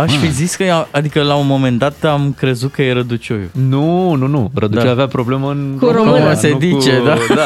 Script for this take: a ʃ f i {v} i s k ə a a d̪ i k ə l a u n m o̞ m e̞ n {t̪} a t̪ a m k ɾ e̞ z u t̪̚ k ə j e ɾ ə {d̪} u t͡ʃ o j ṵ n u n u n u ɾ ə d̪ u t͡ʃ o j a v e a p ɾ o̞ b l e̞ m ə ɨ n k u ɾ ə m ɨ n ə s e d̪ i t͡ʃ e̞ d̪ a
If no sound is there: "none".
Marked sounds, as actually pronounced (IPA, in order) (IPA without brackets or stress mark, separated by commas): z, d̪, d̪